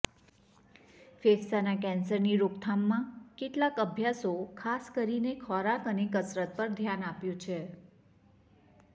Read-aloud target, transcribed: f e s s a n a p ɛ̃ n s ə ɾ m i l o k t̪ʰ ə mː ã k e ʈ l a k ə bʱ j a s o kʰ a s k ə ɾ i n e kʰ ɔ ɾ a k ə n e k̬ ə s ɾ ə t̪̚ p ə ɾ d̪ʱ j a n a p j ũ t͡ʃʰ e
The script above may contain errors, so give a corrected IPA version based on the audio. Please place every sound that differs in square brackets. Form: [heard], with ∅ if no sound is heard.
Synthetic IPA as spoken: f e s s a n a [k] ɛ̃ n s ə ɾ [n] i [ɾ] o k t̪ʰ [a] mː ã k e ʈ l a k ə bʱ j a s o kʰ a s k ə ɾ i n e kʰ ɔ ɾ a k ə n e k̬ ə s ɾ ə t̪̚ p ə ɾ d̪ʱ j a n a p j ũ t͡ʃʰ e